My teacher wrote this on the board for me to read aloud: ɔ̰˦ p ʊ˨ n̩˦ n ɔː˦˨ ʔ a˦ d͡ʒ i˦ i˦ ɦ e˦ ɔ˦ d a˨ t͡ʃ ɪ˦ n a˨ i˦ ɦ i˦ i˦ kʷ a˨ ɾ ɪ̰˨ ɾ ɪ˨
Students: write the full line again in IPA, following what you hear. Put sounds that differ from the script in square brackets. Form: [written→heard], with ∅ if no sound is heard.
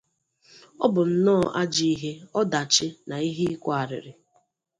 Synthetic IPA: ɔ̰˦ [p→b] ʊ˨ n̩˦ n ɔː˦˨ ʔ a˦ d͡ʒ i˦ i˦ ɦ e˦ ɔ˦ d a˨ t͡ʃ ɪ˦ n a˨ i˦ ɦ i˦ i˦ kʷ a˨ ɾ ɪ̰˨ ɾ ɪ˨